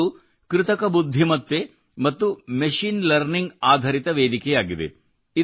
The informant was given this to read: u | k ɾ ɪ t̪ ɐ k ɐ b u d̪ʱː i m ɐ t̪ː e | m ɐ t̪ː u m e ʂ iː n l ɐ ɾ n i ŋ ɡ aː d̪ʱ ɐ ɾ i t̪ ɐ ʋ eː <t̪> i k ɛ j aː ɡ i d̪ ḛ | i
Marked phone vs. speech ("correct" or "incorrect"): incorrect